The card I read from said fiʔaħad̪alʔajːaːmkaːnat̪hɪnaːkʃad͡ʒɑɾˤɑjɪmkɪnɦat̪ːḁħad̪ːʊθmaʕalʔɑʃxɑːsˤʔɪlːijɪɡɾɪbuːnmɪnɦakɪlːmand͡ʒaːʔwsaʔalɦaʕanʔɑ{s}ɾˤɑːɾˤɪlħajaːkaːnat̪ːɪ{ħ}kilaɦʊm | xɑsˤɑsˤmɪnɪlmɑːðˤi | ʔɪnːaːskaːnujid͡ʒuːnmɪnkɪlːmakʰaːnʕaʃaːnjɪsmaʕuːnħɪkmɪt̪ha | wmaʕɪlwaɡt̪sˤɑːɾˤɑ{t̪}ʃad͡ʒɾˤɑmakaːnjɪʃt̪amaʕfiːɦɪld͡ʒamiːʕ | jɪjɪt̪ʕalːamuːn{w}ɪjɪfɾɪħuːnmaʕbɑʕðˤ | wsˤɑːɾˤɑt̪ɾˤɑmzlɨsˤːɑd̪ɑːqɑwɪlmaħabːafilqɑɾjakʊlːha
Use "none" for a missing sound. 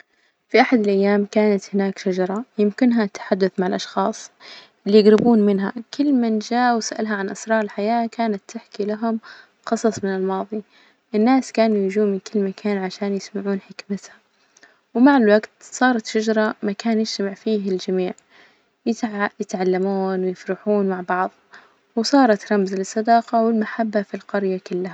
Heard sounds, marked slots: s, ħ, t̪, w

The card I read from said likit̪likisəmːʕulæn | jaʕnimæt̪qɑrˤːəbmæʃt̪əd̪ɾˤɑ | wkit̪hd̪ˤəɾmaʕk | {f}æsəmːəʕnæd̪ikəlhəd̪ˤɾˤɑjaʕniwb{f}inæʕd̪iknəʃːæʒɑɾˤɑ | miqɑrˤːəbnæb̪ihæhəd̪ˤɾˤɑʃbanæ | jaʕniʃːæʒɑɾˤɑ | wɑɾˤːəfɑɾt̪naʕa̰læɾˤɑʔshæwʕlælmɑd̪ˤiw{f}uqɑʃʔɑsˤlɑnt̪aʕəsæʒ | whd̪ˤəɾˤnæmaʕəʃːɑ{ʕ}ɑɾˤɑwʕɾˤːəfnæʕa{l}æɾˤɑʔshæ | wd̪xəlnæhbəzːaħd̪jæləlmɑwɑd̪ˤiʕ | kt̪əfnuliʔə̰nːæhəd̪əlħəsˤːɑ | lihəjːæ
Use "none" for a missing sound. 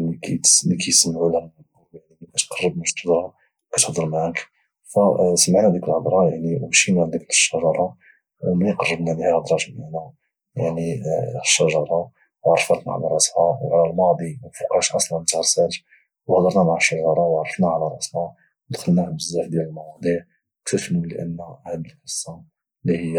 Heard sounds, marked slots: f, ʃ, f, ʒ, l

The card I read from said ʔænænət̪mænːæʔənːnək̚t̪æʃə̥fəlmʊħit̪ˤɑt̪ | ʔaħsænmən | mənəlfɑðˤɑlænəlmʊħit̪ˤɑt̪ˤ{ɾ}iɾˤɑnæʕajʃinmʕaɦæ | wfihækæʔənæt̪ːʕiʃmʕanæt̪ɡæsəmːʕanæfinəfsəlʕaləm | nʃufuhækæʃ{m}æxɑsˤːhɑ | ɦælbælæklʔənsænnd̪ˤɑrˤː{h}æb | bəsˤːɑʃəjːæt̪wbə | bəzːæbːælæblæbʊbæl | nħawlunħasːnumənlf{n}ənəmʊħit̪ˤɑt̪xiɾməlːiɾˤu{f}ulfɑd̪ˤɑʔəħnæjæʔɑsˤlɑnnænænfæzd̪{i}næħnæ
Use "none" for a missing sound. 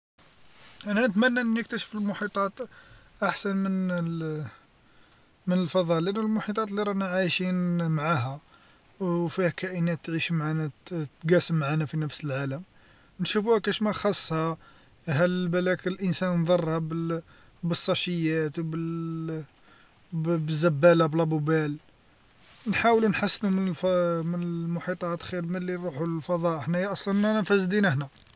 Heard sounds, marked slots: l, m, h, m, ħ, i

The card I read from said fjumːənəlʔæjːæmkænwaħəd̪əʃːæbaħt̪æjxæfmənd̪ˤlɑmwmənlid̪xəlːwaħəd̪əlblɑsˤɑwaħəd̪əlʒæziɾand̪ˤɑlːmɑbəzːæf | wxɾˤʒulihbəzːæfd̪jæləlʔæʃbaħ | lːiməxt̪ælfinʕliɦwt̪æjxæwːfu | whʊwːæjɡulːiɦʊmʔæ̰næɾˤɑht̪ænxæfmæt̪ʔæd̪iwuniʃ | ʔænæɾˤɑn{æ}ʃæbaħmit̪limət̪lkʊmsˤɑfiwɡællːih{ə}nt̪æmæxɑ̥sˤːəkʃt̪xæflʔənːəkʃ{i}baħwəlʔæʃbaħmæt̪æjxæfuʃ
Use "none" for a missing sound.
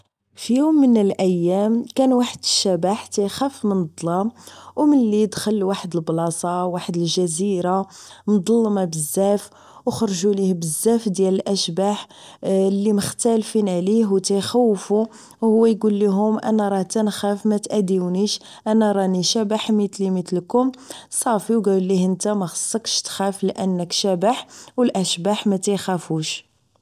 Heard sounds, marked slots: i, ə, æ

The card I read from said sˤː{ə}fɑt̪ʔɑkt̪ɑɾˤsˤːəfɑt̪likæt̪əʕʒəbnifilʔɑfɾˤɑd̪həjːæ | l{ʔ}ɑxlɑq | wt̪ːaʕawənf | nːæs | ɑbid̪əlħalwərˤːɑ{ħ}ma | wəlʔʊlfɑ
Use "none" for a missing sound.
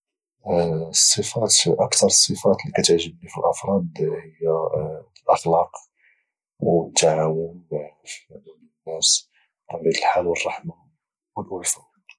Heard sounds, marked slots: ə, ʔ, ħ

